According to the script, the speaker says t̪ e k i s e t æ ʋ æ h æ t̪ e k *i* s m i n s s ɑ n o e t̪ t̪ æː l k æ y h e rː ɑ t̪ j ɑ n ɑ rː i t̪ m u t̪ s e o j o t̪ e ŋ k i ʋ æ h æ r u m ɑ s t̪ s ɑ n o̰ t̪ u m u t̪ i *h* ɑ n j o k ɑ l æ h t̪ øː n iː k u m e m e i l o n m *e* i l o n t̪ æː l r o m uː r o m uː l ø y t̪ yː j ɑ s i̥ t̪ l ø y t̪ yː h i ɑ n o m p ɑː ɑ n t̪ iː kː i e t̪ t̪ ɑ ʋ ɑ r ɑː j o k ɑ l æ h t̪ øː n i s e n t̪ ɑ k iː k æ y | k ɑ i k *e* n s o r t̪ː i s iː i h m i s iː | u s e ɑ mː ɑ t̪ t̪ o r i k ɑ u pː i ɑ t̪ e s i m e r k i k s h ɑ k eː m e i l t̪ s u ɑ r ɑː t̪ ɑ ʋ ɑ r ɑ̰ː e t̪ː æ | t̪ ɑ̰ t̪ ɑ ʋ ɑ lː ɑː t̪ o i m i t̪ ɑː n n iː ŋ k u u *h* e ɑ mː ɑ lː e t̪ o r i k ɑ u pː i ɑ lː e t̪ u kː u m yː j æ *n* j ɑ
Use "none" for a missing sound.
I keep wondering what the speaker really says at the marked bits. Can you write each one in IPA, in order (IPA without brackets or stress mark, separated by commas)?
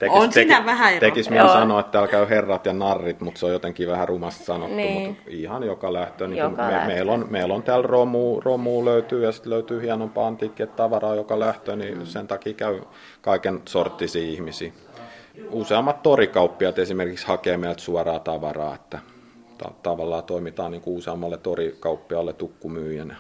i, h, e, e, s, n